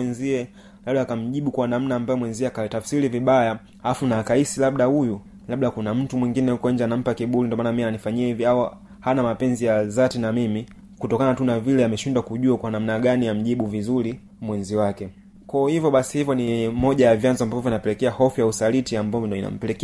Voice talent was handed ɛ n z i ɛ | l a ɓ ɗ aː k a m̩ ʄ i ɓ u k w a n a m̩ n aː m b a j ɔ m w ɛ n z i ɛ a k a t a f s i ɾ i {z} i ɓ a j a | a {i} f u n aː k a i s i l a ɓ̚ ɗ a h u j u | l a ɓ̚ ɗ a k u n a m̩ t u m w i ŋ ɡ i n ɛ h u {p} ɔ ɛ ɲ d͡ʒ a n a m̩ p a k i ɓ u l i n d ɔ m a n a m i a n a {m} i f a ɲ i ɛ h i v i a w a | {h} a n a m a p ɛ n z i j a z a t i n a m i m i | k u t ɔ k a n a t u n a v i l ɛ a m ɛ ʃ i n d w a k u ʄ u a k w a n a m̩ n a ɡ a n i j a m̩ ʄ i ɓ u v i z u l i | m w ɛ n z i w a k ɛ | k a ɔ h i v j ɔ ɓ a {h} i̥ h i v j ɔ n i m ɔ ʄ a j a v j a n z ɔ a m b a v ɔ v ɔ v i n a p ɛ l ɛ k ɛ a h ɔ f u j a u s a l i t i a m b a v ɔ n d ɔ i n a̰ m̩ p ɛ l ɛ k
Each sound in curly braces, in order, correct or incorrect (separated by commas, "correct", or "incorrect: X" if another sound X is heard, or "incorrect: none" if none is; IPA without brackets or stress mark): incorrect: v, incorrect: a, incorrect: k, incorrect: n, correct, incorrect: s